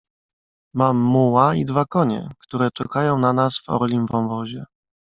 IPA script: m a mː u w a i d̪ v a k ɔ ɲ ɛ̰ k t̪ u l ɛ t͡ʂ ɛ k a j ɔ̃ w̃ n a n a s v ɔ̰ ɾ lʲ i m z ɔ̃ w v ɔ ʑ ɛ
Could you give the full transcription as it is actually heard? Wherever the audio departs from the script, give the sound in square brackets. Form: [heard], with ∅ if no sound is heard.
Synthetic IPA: m a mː u w a i d̪ v a k ɔ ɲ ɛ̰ k t̪ u [ɾ] ɛ t͡ʂ ɛ k a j ɔ̃ w̃ n a n a s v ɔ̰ ɾ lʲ i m [v] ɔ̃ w v ɔ ʑ ɛ